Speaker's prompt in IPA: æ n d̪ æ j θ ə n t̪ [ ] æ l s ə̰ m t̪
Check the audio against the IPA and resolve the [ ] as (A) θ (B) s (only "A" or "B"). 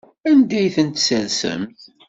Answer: B